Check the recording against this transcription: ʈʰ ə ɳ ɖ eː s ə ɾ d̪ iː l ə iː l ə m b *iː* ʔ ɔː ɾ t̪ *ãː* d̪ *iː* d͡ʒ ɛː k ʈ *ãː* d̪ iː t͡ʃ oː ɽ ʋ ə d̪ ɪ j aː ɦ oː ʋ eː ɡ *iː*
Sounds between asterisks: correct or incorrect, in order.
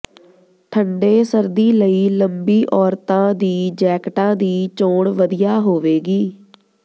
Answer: correct, correct, correct, correct, correct

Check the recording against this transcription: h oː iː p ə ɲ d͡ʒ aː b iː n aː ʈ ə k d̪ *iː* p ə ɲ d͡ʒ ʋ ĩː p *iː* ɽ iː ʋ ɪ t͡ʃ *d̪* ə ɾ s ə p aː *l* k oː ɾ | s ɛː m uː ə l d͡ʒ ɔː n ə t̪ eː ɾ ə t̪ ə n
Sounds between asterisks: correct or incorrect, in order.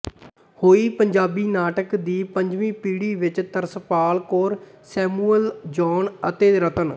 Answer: correct, correct, incorrect, correct

